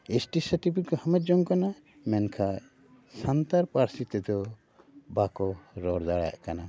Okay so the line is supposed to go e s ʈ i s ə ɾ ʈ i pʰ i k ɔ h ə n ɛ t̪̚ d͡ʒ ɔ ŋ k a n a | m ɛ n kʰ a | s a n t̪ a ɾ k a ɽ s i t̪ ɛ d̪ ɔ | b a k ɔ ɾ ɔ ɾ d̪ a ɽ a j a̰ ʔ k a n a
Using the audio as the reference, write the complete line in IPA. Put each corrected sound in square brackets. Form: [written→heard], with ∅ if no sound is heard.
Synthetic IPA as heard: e s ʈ i s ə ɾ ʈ i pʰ i k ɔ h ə [n→m] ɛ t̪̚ d͡ʒ ɔ ŋ k a n a | m ɛ n kʰ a | s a n t̪ a ɾ [k→p] a [ɽ→ɾ] s i t̪ ɛ d̪ ɔ | b a k ɔ ɾ ɔ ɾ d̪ a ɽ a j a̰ ʔ k a n a